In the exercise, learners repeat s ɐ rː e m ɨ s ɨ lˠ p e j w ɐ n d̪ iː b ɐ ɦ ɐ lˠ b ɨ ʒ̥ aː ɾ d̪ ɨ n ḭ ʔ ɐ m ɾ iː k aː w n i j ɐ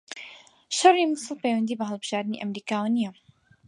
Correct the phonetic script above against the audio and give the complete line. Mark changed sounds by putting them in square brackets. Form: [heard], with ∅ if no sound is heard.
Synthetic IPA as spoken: [ʃ] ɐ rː [i] m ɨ s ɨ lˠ p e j w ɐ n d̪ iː b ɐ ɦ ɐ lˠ b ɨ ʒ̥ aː ɾ d̪ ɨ n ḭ ʔ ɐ m ɾ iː k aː w n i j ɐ

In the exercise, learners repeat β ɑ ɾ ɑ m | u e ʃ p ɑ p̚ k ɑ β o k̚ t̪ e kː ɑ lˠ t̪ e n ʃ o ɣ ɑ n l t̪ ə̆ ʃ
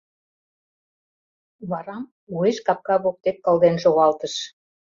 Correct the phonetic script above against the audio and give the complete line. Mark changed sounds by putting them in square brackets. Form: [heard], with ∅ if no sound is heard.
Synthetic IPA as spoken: β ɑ ɾ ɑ m | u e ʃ [k] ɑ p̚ k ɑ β o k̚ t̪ e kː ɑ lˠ [d̪] e n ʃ o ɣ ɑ [∅] l t̪ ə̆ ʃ

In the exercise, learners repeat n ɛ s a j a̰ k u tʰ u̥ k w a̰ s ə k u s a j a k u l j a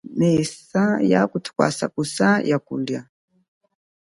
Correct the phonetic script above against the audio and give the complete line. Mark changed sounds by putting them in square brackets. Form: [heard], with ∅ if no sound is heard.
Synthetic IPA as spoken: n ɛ s a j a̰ k u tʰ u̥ k w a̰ s [a] k u s a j a k u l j a

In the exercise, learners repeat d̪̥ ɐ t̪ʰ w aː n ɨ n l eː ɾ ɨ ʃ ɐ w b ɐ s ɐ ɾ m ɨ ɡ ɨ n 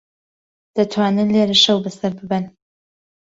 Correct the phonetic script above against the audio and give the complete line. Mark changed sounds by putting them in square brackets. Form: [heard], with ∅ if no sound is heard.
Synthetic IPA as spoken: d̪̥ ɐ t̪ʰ w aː n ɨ n l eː ɾ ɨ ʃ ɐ w b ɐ s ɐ ɾ [b] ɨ [b] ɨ n

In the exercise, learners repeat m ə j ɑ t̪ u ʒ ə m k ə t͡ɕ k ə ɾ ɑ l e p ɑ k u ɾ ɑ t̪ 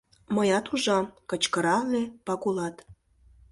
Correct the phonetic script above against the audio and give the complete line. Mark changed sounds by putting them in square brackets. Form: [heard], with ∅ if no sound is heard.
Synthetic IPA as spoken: m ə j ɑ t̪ u ʒ [ɑ] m k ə t͡ɕ k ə ɾ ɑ l e p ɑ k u [l] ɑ t̪

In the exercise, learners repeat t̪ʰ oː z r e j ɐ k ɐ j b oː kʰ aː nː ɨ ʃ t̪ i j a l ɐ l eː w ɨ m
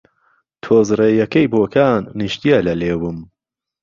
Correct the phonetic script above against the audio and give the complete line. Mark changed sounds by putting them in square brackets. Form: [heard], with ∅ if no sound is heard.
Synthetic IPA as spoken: t̪ʰ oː z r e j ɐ k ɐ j b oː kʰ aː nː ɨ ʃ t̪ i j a l ɐ l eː w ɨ m

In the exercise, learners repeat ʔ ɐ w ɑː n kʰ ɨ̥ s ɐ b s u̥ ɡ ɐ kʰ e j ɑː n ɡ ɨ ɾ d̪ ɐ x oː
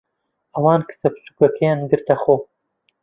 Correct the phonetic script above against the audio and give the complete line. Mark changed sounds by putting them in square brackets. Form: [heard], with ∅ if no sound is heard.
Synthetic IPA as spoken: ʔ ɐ w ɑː n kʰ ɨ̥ s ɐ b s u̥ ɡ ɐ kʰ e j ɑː n ɡ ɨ ɾ [t̪] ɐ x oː

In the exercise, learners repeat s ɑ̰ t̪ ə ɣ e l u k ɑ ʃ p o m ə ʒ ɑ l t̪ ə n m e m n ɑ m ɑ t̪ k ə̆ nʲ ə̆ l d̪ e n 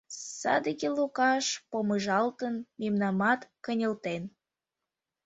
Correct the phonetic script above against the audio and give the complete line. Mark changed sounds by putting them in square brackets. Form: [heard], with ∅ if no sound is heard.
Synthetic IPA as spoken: s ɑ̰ [d̪] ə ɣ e l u k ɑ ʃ p o m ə ʒ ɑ l t̪ ə n m e m n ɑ m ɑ t̪ k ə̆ nʲ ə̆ l [t̪] e n

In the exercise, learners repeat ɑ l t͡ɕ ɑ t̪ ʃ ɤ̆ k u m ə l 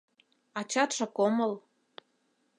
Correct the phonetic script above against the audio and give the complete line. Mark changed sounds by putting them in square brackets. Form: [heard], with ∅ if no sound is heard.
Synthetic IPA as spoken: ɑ [∅] t͡ɕ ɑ t̪ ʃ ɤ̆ k [o] m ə l

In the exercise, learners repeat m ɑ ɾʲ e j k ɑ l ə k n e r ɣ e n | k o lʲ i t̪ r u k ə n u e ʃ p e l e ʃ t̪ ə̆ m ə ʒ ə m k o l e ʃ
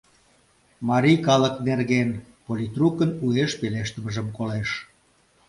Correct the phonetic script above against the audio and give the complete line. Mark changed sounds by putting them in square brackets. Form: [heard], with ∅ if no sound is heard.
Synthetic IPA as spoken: m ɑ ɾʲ [i] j k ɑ l ə k n e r ɣ e n | [p] o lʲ i t̪ r u k ə n u e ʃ p e l e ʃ t̪ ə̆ m ə ʒ ə m k o l e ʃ

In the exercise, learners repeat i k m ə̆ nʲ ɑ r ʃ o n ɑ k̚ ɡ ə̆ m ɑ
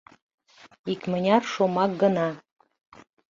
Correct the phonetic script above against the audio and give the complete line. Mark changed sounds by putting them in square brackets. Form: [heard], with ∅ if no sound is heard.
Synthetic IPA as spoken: i k m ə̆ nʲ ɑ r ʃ o [m] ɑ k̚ ɡ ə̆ [n] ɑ

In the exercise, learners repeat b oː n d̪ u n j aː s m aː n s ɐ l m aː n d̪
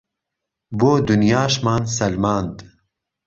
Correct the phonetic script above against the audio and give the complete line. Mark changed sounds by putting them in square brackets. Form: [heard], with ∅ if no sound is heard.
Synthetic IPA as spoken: b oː [∅] d̪ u n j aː [ʃ] m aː n s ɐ l m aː n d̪

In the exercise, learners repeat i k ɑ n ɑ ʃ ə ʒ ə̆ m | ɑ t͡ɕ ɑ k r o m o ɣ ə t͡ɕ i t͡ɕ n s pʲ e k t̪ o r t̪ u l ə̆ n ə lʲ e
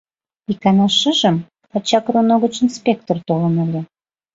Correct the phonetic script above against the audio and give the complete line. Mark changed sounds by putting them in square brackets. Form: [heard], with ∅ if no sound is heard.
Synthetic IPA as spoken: i k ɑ n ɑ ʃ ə ʒ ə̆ m | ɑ t͡ɕ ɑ k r o [n] o ɣ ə t͡ɕ i [∅] n s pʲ e k t̪ o r t̪ [o] l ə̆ n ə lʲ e

